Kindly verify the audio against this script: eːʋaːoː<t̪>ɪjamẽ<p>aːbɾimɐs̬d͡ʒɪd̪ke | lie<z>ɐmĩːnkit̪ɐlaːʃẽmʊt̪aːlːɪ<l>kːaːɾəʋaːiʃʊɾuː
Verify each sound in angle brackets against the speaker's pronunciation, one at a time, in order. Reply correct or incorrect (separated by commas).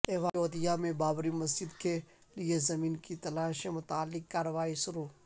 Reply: incorrect, incorrect, correct, incorrect